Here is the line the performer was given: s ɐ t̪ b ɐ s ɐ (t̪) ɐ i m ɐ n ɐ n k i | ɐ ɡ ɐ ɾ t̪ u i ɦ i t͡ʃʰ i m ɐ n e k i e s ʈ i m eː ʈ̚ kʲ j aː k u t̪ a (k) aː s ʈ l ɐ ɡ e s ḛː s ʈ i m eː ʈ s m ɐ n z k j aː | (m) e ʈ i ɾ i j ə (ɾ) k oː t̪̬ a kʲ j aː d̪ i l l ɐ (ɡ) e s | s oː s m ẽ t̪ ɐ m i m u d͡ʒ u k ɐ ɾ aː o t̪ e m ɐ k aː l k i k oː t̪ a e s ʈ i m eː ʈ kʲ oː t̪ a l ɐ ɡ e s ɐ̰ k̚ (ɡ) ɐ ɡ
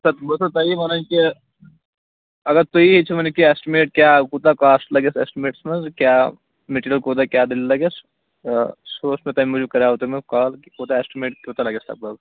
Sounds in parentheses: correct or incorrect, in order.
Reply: correct, correct, correct, incorrect, correct, incorrect

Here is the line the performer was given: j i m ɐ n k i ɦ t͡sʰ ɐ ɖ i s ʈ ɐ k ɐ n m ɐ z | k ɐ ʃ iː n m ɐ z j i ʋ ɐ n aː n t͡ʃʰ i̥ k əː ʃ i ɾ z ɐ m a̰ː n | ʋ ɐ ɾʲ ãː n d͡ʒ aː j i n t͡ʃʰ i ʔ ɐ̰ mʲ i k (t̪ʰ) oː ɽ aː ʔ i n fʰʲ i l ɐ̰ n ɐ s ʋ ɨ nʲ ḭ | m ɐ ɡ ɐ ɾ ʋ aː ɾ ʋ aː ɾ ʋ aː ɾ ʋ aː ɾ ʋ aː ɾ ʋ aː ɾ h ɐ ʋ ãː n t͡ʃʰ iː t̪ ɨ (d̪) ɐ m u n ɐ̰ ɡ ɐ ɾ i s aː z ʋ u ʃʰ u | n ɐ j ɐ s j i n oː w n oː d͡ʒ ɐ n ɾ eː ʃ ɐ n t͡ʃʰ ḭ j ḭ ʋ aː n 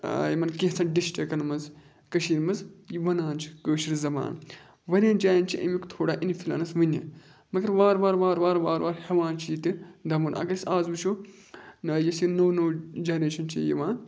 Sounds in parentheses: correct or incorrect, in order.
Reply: correct, correct

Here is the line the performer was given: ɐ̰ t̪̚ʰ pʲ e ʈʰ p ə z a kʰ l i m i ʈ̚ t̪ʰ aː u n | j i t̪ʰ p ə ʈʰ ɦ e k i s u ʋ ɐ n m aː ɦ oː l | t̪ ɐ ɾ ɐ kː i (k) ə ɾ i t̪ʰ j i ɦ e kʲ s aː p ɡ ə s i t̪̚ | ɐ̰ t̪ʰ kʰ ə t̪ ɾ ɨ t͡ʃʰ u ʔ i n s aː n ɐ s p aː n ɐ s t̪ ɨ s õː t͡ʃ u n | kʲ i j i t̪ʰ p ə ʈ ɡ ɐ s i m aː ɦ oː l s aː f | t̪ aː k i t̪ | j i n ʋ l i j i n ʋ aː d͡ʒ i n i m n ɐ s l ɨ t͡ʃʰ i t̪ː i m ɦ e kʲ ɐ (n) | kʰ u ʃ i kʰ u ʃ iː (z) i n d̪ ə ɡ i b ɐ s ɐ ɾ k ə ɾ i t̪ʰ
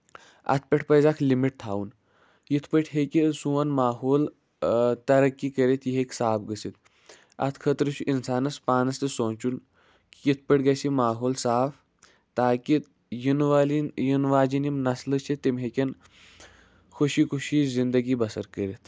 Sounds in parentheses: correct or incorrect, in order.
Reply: correct, correct, correct

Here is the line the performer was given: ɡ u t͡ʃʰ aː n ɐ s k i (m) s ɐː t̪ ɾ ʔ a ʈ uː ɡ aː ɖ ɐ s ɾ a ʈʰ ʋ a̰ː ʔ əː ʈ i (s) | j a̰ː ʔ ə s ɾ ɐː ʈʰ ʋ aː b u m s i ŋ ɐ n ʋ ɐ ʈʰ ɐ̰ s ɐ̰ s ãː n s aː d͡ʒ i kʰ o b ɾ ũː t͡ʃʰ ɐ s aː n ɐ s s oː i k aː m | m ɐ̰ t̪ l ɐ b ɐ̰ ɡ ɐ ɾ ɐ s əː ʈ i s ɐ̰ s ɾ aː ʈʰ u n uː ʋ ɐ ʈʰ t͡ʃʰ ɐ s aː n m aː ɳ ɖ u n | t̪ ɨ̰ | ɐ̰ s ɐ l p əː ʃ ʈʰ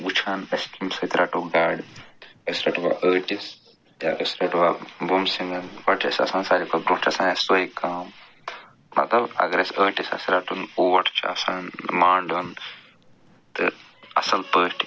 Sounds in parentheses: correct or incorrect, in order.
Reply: correct, correct

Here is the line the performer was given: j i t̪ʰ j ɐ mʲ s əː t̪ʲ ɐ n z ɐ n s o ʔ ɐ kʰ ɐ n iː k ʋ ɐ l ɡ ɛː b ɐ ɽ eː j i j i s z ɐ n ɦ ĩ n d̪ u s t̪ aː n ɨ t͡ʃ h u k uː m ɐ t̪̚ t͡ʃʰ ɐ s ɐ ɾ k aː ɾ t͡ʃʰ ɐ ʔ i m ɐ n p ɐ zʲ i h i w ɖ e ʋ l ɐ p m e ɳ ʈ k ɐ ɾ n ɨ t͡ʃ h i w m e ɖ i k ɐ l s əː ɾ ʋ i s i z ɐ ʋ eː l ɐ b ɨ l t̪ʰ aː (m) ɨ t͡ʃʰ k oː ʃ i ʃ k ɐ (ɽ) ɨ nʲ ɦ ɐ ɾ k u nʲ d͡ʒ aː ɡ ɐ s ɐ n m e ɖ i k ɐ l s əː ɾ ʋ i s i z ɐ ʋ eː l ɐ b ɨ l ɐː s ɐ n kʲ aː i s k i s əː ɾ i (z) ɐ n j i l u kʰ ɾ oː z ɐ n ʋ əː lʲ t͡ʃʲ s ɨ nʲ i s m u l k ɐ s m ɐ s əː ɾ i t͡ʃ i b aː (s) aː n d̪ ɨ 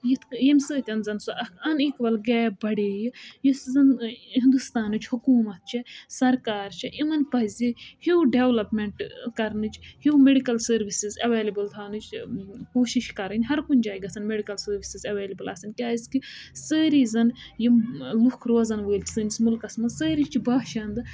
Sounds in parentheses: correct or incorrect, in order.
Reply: incorrect, incorrect, correct, incorrect

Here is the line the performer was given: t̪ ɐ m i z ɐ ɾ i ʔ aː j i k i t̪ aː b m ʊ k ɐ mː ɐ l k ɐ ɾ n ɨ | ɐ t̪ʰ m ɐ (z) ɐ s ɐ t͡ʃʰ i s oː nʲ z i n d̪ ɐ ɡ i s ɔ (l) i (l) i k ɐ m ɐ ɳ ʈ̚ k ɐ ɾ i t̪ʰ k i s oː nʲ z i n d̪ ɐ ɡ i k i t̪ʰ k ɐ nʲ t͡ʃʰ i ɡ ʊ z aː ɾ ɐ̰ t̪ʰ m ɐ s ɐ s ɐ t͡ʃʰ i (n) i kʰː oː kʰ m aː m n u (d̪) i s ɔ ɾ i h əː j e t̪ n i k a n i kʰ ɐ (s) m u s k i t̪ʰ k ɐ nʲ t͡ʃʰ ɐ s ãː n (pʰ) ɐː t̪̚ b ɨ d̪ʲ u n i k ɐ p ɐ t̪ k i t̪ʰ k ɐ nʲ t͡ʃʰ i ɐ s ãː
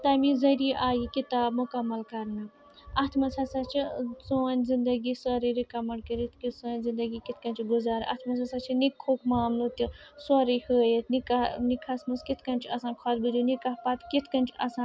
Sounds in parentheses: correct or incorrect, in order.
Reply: incorrect, incorrect, incorrect, correct, incorrect, correct, incorrect

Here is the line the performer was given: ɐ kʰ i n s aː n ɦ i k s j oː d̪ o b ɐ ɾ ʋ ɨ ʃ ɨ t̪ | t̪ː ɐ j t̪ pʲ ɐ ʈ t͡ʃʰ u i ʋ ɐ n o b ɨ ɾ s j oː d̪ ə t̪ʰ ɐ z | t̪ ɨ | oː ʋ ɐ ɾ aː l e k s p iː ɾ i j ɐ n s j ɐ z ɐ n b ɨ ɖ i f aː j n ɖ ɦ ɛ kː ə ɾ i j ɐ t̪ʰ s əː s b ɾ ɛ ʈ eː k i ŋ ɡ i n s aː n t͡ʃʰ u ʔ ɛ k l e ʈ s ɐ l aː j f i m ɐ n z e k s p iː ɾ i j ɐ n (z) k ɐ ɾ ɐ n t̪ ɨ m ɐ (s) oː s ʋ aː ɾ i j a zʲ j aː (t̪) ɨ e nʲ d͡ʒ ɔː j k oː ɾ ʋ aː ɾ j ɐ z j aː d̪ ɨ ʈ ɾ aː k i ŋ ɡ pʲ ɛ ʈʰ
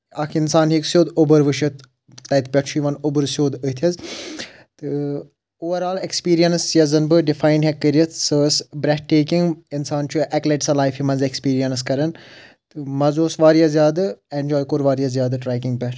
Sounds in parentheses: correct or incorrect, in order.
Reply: incorrect, incorrect, incorrect

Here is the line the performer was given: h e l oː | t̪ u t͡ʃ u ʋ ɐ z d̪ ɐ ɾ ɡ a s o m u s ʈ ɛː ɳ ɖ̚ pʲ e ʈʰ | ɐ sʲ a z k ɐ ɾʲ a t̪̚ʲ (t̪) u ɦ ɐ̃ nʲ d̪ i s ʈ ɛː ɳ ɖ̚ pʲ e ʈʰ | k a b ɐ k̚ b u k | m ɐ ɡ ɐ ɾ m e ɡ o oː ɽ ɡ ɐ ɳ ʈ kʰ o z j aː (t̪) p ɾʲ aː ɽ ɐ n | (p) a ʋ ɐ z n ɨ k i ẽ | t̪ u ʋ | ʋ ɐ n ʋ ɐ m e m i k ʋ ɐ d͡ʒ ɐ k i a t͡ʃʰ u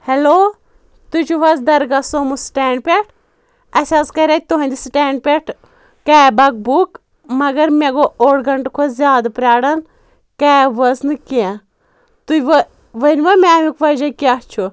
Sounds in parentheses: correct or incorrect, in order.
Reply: correct, incorrect, incorrect

